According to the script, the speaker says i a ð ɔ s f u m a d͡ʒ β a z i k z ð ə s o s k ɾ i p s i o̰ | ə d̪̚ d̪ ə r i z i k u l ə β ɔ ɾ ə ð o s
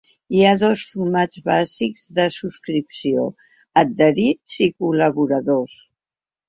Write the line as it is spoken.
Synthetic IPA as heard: i a ð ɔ s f u m a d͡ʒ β a z i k z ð ə s u s k ɾ i p s i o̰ | ə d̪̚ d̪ ə ɾ i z i k u l ə β u ɾ ə ð o s